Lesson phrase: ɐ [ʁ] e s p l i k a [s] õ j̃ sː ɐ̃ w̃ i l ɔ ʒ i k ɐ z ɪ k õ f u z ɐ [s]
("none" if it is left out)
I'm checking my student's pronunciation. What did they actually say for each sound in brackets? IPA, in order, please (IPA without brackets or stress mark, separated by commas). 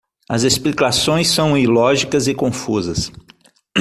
z, s, s